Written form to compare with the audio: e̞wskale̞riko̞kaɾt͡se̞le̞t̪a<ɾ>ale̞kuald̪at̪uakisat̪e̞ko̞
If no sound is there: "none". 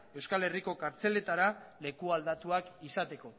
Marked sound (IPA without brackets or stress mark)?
ɾ